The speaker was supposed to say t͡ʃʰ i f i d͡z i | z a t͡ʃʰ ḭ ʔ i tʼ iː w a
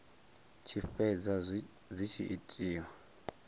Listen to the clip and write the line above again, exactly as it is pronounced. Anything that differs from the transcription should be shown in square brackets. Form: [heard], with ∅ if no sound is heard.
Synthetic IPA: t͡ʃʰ i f [ɛ] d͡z [a] | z [i] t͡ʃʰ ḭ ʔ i tʼ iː w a